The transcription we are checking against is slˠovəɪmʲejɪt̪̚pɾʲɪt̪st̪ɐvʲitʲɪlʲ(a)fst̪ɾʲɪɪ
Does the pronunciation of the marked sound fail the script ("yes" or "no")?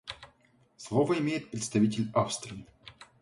no